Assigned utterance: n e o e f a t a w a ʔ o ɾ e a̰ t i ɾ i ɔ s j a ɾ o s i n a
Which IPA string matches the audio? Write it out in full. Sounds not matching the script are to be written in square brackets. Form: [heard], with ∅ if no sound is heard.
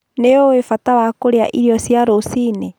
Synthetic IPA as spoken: n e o e f a t a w a [k] o ɾ e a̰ [ʔ] i ɾ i ɔ s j a ɾ o s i n [e]